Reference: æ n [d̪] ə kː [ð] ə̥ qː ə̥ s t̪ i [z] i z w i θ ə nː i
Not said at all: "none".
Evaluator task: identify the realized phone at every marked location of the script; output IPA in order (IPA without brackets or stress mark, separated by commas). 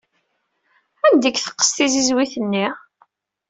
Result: d̪, θ, z